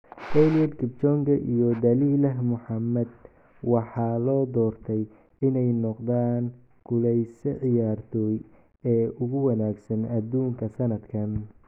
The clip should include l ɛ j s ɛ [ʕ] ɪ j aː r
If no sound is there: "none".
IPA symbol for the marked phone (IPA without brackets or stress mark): ʕ